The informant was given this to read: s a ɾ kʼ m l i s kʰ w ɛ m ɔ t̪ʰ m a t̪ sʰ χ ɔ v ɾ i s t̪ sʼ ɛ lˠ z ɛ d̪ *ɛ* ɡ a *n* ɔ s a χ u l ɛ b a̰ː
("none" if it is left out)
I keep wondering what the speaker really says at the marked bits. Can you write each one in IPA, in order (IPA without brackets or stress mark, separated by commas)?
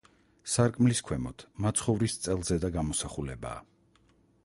a, m